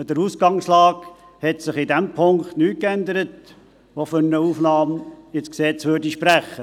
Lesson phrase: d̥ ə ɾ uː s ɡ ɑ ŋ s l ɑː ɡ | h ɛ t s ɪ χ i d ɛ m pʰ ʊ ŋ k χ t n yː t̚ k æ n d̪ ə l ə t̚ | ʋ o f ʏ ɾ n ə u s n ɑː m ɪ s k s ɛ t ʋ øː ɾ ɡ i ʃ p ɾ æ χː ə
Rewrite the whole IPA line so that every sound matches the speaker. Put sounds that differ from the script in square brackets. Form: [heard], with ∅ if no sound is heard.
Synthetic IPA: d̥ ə ɾ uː s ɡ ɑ ŋ s l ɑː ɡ | h ɛ t s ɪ χ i d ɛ m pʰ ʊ ŋ k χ t n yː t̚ k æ n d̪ ə [ɾ] ə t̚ | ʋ o f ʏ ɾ n ə u [f] n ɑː m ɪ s k s ɛ [t͡s] ʋ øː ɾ [d] i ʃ p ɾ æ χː ə